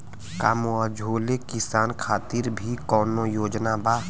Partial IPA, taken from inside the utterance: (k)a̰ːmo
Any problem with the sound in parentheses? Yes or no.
no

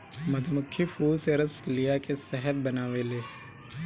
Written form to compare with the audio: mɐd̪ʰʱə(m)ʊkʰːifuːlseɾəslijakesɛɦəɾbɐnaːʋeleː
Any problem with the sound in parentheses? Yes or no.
no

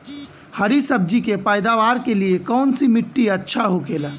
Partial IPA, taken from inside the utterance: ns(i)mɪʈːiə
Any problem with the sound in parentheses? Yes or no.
no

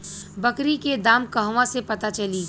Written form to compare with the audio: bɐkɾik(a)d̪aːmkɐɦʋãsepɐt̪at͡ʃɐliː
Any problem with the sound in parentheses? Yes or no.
yes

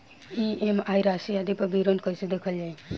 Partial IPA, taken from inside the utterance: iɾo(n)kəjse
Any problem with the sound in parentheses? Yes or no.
no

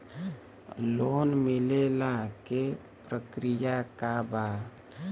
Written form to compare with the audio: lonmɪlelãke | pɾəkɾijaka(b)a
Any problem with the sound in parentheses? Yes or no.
no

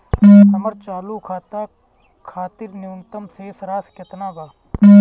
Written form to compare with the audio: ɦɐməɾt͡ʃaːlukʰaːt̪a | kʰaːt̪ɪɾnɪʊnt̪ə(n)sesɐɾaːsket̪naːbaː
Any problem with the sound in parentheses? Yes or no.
yes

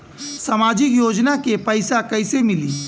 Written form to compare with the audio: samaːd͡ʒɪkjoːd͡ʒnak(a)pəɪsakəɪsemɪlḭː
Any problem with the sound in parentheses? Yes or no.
yes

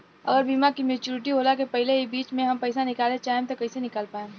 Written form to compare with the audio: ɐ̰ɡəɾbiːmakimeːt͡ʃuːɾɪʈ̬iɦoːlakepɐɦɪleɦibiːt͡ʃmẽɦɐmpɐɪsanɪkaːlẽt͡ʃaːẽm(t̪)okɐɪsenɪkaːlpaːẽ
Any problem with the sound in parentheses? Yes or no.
no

